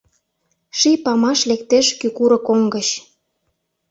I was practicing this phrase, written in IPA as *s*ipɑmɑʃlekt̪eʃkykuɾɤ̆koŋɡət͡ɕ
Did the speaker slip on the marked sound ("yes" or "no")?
yes